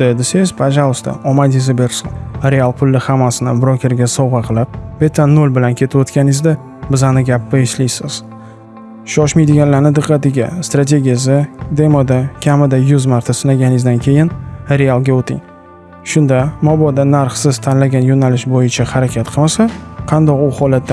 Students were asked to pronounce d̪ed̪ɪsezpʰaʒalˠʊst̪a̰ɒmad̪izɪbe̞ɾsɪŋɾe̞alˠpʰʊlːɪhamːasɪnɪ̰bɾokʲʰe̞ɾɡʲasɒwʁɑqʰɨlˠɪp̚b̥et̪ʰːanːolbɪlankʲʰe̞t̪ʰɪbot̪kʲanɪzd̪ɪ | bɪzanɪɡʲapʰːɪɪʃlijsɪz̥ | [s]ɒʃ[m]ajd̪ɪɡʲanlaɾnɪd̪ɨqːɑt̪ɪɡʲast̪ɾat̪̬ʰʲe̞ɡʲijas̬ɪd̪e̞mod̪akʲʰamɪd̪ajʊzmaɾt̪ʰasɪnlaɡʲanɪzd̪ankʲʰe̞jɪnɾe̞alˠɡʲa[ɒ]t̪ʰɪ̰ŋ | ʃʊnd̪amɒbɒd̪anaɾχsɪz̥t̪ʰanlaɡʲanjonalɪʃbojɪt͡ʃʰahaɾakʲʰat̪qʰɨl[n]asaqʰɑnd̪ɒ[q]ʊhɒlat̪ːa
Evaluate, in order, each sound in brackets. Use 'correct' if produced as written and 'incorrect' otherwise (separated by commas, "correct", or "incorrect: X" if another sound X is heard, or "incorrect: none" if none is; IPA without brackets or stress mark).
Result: incorrect: ʃ, correct, incorrect: o, incorrect: m, correct